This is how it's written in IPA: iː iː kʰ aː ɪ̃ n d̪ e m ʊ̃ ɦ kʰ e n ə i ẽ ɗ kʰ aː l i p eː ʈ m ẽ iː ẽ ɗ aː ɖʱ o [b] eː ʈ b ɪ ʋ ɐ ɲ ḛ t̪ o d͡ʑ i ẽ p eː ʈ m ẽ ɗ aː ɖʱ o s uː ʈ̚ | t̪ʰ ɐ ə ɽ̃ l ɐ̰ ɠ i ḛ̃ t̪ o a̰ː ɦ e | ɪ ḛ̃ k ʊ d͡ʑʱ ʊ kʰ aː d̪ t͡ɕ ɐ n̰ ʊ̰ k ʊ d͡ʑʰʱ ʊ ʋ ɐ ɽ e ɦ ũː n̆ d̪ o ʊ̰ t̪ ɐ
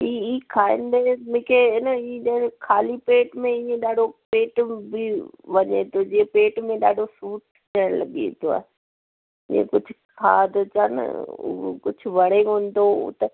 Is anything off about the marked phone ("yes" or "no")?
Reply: yes